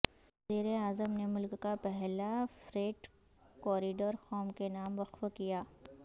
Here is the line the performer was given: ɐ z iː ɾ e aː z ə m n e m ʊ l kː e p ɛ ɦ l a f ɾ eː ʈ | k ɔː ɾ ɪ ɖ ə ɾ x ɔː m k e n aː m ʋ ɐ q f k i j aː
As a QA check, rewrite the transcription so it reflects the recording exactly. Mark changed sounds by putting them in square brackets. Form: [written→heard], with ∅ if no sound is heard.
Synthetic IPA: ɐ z iː ɾ e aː z ə m n e m ʊ l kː [e→a] p ɛ ɦ l a f ɾ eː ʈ | k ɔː ɾ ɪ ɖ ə ɾ x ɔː m k e n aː m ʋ ɐ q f k i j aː

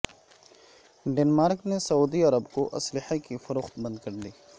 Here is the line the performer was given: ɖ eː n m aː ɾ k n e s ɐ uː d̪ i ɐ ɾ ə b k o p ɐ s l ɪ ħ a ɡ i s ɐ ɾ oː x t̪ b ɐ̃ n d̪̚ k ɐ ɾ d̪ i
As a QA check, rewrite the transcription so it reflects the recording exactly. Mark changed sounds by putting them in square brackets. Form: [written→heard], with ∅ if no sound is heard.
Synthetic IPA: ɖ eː n m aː ɾ k n e s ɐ uː d̪ i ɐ ɾ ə b k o [p→ʔ] ɐ s l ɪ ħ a [ɡ→k] i [s→f] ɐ ɾ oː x t̪ b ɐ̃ n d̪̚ k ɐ ɾ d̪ [i→iː]

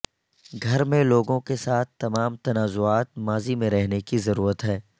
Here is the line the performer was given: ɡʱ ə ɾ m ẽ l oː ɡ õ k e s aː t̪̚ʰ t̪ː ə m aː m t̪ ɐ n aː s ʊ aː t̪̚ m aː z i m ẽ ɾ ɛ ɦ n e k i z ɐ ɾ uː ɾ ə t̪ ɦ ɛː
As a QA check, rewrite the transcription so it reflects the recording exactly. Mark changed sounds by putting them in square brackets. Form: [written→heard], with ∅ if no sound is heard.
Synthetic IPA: ɡʱ [ə→ɐ] ɾ m ẽ l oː ɡ õ k e s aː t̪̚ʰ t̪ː [ə→ɐ] m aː m t̪ ɐ n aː [s→z] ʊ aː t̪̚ m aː z i m ẽ ɾ ɛ ɦ n e k i z ɐ ɾ uː ɾ ə t̪ ɦ ɛː

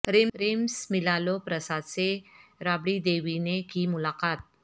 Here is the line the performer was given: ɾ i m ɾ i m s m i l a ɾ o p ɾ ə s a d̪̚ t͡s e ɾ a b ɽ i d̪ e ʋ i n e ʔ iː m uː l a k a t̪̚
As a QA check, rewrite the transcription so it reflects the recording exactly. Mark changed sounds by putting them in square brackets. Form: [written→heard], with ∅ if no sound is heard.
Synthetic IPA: ɾ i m ɾ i m s m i l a [ɾ→l] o p ɾ ə s a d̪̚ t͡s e ɾ a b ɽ i d̪ e ʋ i n e [ʔ→k] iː m [uː→u] l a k a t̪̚

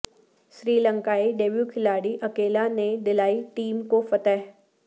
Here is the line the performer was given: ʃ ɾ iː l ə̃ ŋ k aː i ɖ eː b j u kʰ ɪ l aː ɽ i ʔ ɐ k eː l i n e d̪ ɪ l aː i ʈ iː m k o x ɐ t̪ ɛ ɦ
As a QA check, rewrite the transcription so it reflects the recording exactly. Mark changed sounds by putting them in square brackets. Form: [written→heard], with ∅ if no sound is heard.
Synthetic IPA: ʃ ɾ iː l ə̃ ŋ k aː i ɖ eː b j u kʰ ɪ l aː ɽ i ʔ ɐ k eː l [i→a] n e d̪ ɪ l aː i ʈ iː m k o [x→f] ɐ t̪ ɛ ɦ

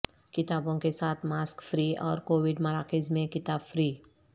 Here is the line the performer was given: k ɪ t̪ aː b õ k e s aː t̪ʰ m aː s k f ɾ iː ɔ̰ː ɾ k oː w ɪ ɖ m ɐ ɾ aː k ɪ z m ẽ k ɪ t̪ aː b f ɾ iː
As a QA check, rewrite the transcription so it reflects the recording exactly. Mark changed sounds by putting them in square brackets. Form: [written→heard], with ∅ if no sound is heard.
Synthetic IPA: k ɪ t̪ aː b õ k e s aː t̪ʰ m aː s k f ɾ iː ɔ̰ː ɾ k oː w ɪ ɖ m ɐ ɾ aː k ɪ z m ẽ k ɪ t̪ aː b f ɾ iː

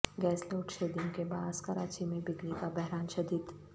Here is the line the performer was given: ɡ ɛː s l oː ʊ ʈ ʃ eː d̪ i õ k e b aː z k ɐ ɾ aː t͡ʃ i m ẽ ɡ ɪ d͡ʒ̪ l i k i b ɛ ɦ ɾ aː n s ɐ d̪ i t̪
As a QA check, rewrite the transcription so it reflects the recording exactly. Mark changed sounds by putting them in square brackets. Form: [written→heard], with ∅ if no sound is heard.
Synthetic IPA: ɡ ɛː s l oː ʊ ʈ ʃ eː d̪ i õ k e b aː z k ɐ ɾ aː t͡ʃ i m ẽ [ɡ→b] ɪ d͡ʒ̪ l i k [i→a] b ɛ ɦ ɾ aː n [s→ʃ] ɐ d̪ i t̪

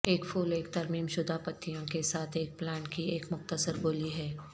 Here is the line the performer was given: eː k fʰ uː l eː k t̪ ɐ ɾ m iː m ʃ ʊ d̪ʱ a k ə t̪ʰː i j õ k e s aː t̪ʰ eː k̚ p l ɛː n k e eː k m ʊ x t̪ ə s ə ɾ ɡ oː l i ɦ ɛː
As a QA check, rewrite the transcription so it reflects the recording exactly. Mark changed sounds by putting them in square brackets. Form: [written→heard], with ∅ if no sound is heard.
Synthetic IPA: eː k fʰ uː l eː k t̪ ɐ ɾ m iː m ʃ ʊ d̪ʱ a [k→p] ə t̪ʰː i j õ k e s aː t̪ʰ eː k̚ p l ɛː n k [e→i] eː k m ʊ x t̪ ə s ə ɾ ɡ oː l i ɦ ɛː

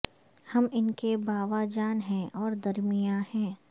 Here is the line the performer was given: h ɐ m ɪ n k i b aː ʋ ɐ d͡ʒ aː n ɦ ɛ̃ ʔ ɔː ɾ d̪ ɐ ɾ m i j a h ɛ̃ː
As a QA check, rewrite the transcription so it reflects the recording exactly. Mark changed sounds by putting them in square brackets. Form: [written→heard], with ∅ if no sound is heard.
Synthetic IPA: h ɐ m ɪ n k [i→e] b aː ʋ [ɐ→a] d͡ʒ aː n ɦ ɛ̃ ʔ ɔː ɾ d̪ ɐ ɾ m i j a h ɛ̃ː

